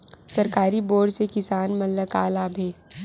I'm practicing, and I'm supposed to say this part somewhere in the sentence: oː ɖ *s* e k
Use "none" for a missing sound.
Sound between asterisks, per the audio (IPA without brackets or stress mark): s